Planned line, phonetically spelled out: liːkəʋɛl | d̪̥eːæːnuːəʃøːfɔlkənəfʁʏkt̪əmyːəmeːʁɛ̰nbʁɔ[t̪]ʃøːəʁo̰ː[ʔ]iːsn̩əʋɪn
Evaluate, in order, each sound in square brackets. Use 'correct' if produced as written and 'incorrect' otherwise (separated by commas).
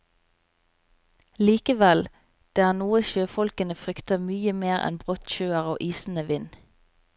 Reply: correct, correct